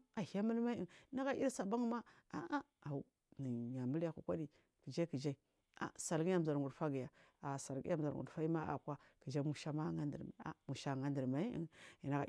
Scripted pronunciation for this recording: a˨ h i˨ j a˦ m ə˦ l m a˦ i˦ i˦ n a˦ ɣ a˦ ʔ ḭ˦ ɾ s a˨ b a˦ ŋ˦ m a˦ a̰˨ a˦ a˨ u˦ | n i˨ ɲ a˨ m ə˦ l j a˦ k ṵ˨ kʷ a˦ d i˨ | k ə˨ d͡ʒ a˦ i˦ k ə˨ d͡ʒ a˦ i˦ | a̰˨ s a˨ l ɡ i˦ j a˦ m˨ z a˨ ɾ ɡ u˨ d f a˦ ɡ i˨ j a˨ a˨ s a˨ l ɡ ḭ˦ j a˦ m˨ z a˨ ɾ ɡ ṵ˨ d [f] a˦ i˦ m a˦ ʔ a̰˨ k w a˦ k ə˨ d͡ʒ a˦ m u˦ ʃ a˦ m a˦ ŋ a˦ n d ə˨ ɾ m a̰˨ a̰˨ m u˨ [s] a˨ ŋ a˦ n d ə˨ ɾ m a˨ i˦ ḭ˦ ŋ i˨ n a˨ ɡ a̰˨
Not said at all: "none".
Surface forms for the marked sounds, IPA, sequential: f, ʃ

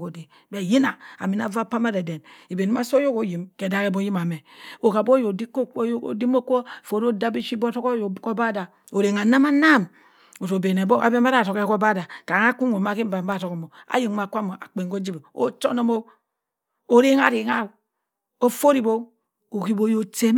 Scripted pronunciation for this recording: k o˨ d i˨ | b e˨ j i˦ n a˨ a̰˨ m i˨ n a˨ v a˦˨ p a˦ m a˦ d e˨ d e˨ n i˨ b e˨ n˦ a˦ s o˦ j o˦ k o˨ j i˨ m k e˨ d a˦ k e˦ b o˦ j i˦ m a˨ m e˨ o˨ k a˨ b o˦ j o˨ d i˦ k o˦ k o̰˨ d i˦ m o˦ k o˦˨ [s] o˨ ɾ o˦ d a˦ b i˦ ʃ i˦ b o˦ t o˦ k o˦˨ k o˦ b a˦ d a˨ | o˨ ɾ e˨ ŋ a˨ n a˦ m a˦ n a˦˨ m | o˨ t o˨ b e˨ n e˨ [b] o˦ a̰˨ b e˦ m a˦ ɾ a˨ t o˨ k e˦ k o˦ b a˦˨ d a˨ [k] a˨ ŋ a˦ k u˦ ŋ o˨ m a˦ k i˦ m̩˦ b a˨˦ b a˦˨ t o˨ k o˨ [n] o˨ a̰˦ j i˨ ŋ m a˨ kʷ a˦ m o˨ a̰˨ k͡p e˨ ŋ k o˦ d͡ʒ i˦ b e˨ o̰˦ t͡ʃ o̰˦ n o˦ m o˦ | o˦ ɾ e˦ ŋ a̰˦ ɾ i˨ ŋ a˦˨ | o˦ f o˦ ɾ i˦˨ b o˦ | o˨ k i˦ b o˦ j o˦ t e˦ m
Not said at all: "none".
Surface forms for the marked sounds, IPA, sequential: f, b, k, m

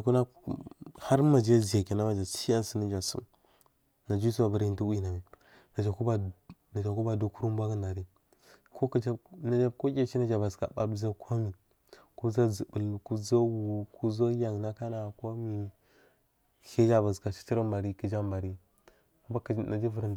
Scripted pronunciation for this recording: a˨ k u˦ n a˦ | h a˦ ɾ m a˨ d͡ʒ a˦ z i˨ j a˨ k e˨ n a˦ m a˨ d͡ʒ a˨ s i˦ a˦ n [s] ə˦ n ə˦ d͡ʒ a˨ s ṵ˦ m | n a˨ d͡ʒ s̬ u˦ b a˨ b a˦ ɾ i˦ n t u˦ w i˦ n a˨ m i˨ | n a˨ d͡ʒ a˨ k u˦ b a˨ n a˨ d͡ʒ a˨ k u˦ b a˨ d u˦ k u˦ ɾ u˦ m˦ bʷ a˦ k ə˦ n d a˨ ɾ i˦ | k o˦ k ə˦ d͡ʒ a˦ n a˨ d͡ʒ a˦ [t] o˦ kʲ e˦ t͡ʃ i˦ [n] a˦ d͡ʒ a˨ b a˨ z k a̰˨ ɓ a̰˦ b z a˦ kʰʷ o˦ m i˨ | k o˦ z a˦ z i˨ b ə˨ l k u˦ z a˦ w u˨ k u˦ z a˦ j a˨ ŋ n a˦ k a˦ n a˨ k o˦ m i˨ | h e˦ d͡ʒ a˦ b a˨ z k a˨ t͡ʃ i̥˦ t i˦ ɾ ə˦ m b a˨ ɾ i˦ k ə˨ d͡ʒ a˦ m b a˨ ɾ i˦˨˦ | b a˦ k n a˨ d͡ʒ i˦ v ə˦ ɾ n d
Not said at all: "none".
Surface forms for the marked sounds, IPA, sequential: s, k, n

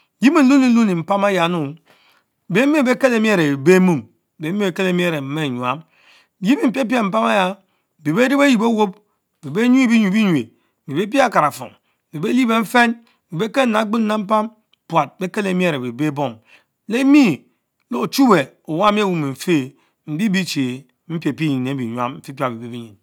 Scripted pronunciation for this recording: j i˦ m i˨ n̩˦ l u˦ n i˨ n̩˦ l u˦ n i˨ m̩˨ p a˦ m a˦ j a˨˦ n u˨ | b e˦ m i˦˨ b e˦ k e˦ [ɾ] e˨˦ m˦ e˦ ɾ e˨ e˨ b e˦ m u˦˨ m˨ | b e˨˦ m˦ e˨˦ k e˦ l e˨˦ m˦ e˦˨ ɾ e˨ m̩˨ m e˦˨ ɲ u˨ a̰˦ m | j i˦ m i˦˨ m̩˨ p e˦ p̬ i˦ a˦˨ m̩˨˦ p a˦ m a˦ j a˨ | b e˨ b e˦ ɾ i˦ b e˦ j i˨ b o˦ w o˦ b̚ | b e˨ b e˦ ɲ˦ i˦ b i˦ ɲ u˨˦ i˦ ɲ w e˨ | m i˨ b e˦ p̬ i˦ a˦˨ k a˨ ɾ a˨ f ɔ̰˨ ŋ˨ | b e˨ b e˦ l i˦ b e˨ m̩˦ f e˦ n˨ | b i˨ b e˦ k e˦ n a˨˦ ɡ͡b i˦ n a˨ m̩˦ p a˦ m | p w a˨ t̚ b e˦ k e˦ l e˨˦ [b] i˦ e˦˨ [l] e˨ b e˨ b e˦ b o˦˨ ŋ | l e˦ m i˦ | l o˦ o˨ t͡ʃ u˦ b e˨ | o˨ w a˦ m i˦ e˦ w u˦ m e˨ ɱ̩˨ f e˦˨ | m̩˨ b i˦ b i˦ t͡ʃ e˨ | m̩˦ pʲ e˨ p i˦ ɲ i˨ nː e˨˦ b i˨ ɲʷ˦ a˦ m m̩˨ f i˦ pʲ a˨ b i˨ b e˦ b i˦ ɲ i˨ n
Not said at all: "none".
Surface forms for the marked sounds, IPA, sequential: l, m, ɾ

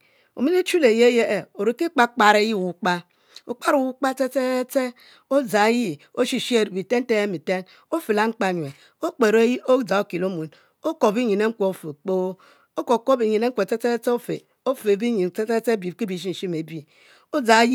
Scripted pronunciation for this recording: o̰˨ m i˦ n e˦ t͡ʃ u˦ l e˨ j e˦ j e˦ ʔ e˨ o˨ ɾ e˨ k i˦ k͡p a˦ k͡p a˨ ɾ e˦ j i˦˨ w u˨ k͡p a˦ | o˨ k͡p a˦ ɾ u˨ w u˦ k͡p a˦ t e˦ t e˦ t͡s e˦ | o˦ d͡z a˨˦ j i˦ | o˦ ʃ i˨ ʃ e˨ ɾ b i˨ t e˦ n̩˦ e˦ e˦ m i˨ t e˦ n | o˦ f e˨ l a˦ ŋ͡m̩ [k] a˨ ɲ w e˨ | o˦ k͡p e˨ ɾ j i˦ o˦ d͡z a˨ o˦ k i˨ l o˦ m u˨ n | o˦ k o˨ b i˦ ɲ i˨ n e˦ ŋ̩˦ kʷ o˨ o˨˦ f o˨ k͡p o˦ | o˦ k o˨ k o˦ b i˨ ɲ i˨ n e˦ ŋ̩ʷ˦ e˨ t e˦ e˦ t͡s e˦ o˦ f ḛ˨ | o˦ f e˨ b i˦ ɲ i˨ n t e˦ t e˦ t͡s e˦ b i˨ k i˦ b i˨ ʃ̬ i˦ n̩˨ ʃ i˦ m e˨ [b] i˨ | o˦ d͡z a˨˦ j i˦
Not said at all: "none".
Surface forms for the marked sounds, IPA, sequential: k͡p, b

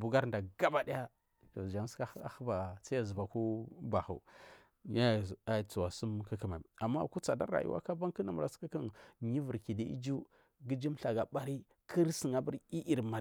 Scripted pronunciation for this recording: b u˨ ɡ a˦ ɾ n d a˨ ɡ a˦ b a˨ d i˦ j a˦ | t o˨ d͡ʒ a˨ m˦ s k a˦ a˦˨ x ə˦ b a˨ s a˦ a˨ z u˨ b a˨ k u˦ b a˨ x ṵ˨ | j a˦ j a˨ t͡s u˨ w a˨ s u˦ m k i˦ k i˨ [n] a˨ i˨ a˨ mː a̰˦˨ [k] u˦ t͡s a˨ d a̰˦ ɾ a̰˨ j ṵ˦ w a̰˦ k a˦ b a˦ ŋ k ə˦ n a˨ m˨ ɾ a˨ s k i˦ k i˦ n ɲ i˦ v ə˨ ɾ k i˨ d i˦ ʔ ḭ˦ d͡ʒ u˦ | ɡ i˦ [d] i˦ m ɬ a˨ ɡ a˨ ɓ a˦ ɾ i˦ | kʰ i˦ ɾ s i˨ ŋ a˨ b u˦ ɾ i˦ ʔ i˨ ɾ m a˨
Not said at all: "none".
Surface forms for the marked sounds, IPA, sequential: m, k, d͡ʒ

